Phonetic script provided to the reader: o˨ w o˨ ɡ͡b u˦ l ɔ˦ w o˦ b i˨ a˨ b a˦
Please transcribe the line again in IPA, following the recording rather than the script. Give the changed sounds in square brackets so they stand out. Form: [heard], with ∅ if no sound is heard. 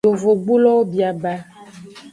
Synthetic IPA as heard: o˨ [v] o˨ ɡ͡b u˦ l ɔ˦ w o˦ b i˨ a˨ b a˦

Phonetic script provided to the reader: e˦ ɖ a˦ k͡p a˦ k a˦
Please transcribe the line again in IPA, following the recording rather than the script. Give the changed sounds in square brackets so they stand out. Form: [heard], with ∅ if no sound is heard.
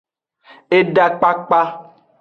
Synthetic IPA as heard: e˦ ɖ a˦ k͡p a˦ [k͡p] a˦

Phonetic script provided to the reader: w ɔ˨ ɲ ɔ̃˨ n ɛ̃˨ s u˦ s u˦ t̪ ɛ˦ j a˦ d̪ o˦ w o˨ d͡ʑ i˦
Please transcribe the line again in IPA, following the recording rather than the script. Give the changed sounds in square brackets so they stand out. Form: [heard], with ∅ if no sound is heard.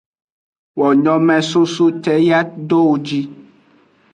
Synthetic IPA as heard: w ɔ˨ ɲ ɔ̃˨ [m] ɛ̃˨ s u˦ s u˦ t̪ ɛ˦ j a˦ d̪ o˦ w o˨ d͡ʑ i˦

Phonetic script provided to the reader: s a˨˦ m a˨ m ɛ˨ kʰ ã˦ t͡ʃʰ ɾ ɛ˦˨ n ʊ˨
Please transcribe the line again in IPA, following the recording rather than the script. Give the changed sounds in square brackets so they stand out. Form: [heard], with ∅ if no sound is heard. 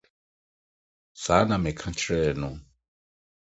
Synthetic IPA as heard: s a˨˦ [n] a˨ m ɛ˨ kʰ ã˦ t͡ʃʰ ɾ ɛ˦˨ n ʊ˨

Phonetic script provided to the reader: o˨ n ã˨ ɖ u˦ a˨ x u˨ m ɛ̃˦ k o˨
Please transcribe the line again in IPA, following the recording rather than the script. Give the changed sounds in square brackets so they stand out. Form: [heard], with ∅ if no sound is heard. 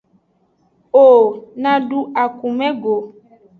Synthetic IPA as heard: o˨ n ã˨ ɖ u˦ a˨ [k] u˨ m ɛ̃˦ [ɡ] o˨

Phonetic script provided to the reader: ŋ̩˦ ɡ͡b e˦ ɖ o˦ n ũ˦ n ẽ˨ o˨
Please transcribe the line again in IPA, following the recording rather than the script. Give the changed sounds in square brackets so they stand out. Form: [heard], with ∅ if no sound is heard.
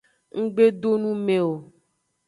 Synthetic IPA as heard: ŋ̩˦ ɡ͡b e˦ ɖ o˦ n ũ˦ [m] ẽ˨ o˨

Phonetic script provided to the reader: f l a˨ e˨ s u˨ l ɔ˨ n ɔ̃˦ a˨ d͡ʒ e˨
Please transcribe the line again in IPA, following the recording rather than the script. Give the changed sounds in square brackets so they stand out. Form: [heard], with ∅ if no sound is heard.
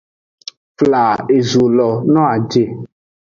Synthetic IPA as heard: f l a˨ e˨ [z] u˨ l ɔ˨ n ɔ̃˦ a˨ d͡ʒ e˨

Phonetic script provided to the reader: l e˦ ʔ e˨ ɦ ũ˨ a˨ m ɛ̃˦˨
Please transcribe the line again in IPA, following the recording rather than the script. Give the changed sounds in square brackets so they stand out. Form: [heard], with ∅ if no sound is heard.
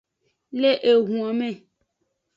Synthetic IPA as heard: l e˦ ʔ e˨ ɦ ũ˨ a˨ m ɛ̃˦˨

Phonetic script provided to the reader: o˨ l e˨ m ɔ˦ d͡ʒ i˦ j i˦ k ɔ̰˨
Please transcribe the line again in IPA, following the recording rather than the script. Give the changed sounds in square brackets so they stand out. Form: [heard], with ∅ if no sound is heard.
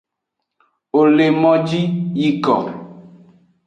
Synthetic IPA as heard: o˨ l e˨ m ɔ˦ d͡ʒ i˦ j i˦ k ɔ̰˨

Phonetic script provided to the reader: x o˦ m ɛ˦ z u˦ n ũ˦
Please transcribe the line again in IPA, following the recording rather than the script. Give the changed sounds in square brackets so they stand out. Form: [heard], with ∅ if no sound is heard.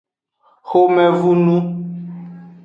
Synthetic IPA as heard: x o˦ m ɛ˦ [v] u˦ n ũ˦

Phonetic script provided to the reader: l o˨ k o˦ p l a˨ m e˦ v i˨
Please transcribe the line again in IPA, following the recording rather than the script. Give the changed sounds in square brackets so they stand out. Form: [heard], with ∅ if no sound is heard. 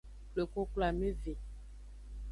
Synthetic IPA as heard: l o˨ k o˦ [k] l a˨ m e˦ v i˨

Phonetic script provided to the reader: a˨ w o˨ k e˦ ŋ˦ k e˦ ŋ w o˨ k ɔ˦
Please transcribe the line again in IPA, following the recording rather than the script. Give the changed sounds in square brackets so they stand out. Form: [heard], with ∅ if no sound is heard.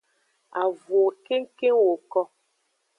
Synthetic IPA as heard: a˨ [v] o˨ k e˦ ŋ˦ k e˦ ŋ w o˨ k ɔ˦

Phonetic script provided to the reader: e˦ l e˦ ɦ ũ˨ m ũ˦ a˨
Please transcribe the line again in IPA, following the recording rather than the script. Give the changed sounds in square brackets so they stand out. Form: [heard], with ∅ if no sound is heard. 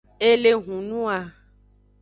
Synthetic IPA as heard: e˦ l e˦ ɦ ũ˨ [n] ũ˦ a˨

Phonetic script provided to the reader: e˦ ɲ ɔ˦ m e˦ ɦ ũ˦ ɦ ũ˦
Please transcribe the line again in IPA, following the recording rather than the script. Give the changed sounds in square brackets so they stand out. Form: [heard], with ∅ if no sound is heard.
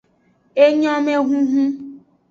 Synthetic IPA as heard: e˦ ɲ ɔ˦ m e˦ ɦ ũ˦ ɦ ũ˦

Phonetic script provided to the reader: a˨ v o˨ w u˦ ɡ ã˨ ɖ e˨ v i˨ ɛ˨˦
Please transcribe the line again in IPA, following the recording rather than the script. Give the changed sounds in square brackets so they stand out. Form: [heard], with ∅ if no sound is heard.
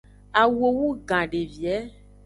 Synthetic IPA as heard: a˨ [w] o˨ w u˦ ɡ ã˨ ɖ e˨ v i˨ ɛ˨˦

